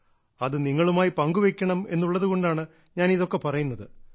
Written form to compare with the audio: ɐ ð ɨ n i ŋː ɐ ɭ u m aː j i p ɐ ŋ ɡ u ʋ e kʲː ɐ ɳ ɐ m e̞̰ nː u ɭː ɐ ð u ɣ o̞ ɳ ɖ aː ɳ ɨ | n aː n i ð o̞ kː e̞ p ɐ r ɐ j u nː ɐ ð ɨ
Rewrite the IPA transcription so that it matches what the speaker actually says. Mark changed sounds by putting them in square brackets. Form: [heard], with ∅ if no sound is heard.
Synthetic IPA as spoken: ɐ ð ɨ n i ŋː ɐ ɭ u m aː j i p ɐ ŋ ɡ u ʋ e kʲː ɐ ɳ ɐ m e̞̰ nː u ɭː ɐ ð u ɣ o̞ ɳ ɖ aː ɳ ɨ | [ɲ] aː n i ð o̞ kː e̞ p ɐ r ɐ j u nː ɐ ð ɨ